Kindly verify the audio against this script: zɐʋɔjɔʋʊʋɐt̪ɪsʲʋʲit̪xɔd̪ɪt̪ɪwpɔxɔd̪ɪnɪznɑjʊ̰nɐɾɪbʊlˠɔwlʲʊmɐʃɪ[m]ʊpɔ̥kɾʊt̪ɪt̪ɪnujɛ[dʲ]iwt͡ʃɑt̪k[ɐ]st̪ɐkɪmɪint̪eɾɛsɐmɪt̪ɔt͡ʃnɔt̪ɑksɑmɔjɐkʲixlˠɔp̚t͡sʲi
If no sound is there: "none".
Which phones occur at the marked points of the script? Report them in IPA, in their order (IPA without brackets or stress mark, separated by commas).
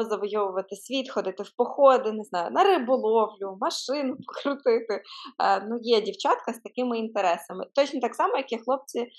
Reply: n, dʲ, ɐ